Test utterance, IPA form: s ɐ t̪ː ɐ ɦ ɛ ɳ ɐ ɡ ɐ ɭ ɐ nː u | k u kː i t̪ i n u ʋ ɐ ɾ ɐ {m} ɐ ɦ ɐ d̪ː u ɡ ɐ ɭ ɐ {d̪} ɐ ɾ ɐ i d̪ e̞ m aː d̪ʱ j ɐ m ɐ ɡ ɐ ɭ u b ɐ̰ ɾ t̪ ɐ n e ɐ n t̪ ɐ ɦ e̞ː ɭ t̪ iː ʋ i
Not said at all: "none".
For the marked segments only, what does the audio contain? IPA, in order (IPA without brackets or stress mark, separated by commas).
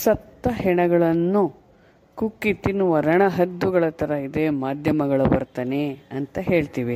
ɳ, t̪